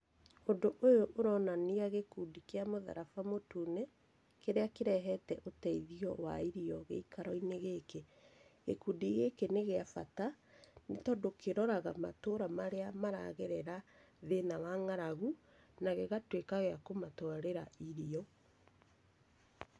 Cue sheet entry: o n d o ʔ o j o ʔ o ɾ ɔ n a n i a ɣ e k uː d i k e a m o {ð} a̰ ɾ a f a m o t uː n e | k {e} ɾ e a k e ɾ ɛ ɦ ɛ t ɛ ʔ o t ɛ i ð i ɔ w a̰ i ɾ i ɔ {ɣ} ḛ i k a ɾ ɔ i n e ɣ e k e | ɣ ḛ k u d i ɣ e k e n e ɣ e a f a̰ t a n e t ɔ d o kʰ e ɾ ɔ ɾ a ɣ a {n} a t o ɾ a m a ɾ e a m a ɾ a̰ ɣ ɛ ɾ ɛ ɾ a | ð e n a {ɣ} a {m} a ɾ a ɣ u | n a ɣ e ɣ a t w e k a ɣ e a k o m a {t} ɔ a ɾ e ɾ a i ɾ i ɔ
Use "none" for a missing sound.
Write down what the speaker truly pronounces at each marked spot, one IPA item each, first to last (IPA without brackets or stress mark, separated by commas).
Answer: ð, e, ɣ, m, w, ŋ, t